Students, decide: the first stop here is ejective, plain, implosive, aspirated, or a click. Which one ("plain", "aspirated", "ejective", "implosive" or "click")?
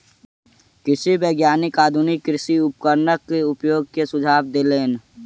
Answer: plain